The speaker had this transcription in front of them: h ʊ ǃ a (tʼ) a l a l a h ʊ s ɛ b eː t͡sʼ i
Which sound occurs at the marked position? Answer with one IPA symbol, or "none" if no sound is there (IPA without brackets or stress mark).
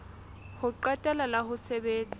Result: tʼ